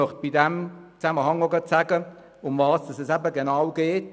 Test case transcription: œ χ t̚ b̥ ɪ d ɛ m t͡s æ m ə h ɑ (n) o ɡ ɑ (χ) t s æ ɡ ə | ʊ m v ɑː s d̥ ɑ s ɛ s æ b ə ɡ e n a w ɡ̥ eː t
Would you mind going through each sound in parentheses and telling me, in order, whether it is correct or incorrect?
incorrect: ŋ, incorrect: none

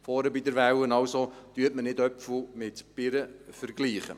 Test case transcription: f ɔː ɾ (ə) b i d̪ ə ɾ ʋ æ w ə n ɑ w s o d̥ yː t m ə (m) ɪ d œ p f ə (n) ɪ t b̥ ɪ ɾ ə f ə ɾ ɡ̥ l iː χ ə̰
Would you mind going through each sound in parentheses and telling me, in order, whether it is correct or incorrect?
correct, incorrect: n, incorrect: m

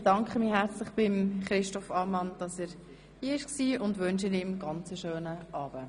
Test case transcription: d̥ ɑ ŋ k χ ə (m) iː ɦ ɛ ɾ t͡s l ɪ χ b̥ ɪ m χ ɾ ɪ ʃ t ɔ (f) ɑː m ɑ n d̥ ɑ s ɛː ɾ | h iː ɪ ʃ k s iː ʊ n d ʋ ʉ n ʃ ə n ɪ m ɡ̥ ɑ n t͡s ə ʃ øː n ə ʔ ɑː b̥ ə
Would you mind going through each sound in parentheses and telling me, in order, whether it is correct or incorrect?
correct, correct

